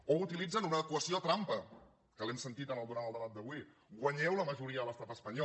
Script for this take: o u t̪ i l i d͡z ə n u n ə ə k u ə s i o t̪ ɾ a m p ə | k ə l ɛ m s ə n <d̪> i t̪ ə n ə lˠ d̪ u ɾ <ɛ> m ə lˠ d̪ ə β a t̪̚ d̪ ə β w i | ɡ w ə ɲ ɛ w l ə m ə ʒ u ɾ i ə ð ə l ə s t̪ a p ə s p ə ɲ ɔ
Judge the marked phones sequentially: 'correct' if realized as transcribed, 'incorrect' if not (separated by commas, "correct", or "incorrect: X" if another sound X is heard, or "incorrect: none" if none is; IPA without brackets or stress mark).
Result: incorrect: t̪, incorrect: a